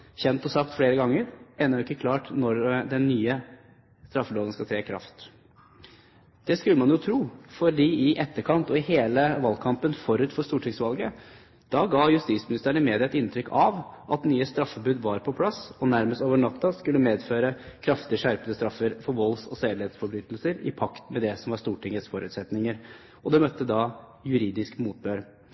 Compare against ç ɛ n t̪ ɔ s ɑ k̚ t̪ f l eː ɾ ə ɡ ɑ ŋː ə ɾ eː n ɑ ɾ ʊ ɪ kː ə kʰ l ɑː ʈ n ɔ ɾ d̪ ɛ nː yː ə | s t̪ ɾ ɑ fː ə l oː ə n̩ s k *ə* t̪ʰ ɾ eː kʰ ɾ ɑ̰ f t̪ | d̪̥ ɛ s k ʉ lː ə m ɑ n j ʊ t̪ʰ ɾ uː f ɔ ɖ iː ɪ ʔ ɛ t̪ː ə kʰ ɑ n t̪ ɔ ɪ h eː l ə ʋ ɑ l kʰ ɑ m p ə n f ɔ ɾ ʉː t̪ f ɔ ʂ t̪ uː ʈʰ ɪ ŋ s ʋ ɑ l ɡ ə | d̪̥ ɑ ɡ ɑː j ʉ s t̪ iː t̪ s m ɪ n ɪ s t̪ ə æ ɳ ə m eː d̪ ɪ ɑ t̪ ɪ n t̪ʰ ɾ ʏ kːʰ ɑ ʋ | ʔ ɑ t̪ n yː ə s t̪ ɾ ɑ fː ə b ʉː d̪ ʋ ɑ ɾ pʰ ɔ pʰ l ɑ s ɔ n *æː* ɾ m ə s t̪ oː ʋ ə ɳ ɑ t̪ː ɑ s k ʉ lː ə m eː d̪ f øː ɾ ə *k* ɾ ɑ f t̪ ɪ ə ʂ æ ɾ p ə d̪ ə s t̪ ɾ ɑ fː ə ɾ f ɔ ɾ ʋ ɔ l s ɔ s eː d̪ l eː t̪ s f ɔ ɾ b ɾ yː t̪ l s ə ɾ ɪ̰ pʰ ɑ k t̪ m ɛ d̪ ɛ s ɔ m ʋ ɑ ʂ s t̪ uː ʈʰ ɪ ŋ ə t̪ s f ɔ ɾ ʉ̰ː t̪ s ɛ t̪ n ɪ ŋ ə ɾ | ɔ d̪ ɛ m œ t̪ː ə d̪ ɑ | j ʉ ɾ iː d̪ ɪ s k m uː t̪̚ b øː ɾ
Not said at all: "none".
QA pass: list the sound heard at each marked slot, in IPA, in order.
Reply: ɑ, æ, kʰ

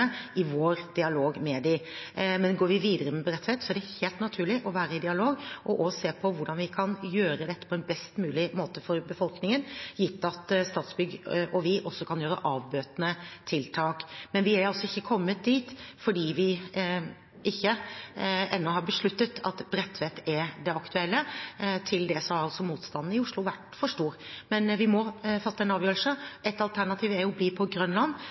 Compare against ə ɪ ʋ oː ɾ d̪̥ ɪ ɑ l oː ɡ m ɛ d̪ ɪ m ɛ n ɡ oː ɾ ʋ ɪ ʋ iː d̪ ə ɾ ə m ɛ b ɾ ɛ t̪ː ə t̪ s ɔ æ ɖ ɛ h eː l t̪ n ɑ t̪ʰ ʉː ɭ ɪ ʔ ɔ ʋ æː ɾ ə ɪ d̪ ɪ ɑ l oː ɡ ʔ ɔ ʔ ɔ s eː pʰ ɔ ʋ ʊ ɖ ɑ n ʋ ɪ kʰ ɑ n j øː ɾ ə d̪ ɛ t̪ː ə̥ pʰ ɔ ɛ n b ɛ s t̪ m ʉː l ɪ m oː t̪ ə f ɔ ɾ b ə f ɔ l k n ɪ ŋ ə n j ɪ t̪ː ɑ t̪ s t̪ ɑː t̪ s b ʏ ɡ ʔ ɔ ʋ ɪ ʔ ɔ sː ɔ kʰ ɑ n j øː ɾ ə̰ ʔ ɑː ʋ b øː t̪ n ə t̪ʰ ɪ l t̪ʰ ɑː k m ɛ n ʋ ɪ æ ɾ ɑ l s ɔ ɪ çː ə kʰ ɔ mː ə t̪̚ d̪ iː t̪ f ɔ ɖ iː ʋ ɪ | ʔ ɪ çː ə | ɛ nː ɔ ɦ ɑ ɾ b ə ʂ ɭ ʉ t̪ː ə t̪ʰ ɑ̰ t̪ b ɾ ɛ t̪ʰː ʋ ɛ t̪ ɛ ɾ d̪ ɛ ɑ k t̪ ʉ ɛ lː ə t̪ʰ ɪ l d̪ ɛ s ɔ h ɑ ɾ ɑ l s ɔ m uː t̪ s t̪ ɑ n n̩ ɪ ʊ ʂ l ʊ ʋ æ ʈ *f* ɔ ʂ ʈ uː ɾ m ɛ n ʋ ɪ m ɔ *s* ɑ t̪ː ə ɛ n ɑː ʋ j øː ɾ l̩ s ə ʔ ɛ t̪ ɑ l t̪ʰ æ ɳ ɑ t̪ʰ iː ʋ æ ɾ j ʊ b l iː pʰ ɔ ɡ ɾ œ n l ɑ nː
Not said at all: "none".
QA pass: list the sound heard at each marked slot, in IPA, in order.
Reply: f, f

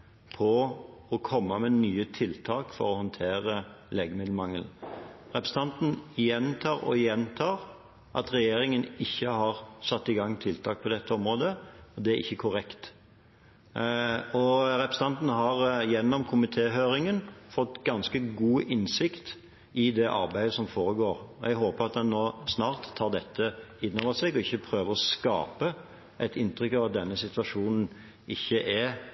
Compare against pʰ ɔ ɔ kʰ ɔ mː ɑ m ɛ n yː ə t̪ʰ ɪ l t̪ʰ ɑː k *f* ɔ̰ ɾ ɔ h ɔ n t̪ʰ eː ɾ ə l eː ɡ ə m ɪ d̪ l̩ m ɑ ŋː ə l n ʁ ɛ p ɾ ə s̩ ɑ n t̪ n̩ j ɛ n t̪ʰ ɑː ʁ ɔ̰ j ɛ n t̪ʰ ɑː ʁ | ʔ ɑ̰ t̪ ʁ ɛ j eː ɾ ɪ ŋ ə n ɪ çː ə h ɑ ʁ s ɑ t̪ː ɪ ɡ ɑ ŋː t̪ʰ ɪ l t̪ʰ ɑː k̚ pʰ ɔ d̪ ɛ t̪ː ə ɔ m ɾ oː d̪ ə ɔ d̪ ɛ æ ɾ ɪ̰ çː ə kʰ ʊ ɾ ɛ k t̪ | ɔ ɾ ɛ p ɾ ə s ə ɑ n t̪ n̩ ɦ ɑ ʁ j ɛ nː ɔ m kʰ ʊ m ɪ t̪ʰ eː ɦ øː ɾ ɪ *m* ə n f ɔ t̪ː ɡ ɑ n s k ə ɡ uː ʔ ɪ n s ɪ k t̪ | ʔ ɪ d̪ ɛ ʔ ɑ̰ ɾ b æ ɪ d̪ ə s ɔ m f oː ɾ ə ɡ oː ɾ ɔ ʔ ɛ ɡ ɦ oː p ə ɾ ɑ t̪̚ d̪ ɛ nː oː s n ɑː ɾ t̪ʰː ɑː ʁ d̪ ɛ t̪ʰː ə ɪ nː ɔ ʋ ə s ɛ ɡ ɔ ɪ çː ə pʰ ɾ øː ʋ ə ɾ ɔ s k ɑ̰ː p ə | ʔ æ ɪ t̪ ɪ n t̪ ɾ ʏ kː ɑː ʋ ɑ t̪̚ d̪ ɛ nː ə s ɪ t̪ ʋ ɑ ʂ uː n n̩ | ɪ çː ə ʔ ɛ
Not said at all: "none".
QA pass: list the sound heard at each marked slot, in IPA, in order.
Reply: f, ŋ

